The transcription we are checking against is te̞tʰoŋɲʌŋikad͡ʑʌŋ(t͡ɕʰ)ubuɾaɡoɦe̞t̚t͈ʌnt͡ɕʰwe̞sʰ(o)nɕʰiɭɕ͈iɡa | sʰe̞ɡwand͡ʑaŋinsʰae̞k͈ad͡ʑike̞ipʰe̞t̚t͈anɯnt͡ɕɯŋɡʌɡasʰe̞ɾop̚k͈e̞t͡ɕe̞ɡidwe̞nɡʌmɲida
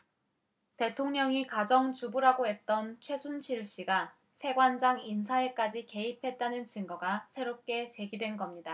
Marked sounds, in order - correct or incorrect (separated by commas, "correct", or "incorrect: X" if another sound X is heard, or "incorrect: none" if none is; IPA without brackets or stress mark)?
incorrect: t͡ɕ, incorrect: u